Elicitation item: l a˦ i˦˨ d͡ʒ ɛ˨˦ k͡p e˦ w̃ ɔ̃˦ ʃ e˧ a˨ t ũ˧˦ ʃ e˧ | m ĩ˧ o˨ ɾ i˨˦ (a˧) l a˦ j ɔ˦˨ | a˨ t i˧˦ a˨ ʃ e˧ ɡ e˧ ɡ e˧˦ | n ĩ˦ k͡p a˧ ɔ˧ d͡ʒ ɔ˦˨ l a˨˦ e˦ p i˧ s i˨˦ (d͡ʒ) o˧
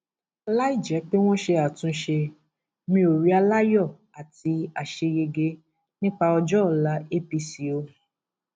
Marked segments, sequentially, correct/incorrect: correct, incorrect

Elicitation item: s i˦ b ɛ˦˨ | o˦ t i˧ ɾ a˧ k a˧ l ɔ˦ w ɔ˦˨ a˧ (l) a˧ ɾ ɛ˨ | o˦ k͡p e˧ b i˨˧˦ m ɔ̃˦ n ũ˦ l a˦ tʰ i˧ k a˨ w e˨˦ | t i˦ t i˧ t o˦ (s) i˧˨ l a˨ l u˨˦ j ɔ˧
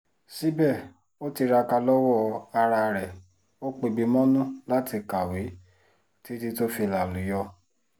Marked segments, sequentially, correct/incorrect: incorrect, incorrect

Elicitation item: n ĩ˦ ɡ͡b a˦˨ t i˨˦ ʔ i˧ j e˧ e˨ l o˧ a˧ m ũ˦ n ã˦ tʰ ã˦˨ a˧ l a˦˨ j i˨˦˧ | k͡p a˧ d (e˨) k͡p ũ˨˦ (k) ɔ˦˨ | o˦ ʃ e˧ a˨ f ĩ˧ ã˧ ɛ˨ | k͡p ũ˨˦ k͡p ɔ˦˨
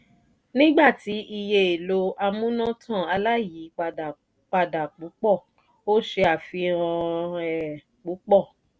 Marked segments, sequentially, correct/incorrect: incorrect, incorrect

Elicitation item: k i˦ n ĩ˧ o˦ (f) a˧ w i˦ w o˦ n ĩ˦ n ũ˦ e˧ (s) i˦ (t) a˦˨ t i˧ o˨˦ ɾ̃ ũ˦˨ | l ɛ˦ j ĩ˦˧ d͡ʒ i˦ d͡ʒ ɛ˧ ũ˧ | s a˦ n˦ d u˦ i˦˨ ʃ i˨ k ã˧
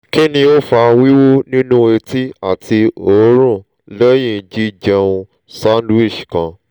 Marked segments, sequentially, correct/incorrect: correct, incorrect, incorrect

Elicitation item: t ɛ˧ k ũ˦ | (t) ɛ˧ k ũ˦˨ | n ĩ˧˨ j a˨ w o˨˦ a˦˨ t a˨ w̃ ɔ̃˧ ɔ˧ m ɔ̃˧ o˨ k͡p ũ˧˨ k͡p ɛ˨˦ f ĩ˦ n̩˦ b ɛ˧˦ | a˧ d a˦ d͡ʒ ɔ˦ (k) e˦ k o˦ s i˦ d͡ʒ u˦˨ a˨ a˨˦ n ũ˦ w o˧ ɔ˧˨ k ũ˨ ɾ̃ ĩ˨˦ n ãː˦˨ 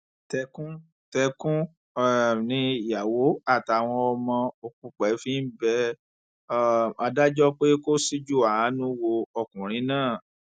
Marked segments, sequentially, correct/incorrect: correct, incorrect

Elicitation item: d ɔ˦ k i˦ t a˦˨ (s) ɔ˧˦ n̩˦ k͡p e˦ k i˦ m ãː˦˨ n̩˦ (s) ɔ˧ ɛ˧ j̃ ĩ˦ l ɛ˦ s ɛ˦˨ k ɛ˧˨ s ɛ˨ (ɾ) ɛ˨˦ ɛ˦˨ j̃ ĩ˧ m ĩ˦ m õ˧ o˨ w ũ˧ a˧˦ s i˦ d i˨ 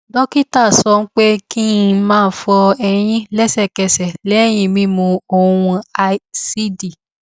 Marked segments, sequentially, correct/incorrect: correct, incorrect, incorrect

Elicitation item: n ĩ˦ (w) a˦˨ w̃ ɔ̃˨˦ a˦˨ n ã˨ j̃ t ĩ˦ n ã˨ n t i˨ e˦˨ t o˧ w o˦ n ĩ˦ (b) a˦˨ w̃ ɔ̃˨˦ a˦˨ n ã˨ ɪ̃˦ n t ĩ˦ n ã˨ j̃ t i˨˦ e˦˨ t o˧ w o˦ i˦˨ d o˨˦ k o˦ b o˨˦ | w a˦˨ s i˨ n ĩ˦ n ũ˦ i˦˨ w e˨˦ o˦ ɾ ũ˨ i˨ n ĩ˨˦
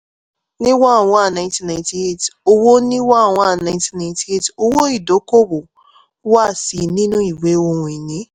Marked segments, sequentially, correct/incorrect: correct, incorrect

